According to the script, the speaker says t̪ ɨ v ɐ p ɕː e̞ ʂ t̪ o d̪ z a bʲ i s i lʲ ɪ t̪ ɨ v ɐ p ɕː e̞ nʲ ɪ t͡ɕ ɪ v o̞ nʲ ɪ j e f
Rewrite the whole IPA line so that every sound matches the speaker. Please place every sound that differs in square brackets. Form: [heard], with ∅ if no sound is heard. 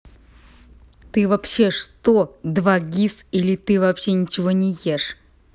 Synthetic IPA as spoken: t̪ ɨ v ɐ p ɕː e̞ ʂ t̪ o d̪ [v] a [ɡʲ] i s i lʲ ɪ t̪ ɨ v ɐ p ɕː e̞ nʲ ɪ t͡ɕ ɪ v o̞ nʲ ɪ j e [ʂ]